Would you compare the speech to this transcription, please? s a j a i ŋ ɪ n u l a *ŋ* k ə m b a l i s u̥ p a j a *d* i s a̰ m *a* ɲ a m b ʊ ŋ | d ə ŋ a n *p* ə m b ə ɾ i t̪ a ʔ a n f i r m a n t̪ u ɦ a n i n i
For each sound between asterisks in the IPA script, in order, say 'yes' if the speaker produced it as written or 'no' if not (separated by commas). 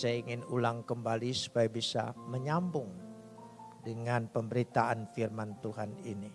yes, no, no, yes